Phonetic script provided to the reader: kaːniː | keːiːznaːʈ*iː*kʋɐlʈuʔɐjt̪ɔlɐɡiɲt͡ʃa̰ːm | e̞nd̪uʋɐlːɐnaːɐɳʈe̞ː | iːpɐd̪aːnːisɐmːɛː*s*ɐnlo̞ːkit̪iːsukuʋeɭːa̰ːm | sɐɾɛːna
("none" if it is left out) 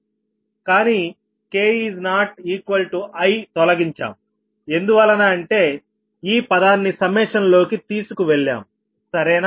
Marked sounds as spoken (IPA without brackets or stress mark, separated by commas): iː, ʂ